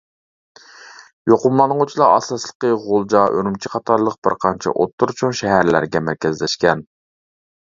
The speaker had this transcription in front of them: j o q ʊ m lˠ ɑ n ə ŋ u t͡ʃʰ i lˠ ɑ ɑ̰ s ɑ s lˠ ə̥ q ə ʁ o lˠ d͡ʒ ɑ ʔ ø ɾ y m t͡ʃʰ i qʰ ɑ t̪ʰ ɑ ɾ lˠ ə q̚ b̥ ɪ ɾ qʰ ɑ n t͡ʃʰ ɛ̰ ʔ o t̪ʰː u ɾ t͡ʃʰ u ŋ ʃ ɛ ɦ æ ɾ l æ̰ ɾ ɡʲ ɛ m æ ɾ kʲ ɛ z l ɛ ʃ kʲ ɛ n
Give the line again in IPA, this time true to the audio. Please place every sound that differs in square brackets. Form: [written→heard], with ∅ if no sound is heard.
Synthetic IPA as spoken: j o q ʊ m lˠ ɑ n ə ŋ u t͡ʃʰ i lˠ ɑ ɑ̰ s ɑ s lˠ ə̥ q ə ʁ o lˠ d͡ʒ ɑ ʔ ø ɾ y m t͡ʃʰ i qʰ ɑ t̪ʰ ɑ ɾ lˠ ə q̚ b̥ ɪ ɾ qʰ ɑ n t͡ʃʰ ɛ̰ ʔ o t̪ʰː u ɾ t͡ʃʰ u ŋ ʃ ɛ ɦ æ ɾ l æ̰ ɾ ɡʲ ɛ m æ ɾ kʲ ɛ z l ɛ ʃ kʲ ɛ n